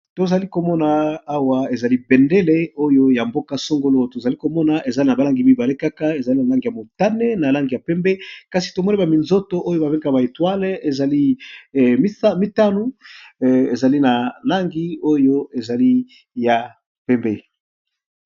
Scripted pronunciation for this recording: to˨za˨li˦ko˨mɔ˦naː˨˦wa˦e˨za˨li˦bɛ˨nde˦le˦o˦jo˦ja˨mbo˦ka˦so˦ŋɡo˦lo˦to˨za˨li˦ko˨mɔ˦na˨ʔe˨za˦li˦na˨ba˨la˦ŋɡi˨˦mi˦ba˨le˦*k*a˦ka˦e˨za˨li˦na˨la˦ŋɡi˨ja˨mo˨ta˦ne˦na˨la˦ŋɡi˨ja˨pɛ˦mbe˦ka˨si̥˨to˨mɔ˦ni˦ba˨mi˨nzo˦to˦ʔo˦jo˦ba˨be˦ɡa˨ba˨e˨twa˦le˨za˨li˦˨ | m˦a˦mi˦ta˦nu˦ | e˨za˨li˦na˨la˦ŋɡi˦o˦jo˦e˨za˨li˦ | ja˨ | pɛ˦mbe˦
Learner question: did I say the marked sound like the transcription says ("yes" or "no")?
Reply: yes